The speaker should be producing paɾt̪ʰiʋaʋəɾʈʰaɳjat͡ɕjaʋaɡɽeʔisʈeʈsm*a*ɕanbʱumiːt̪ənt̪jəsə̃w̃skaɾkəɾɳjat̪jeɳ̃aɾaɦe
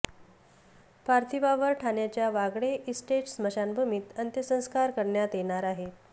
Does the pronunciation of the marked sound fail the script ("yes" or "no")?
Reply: yes